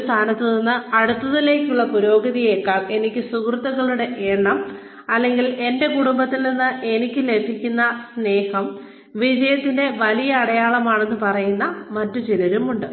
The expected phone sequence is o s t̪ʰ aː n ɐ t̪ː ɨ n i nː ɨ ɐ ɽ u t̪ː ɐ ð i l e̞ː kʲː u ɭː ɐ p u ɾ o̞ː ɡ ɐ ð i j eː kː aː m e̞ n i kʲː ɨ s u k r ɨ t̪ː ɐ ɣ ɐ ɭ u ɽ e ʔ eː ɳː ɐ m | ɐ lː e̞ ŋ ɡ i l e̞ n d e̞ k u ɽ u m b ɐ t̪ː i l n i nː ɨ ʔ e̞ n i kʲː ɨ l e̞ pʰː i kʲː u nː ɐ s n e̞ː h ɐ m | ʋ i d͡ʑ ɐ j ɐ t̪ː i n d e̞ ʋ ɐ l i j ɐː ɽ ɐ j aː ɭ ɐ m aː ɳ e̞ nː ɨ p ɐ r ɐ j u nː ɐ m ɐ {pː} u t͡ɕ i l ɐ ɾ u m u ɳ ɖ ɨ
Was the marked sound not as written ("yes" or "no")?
yes